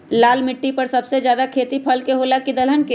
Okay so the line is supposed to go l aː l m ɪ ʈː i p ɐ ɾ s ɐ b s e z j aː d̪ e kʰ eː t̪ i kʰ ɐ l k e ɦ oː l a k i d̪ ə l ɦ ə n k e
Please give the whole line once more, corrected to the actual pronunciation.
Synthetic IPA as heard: l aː l m ɪ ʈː i p ɐ ɾ s ɐ b s e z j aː d̪ a kʰ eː t̪ i pʰ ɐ l k e ɦ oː l a k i d̪ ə l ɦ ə n k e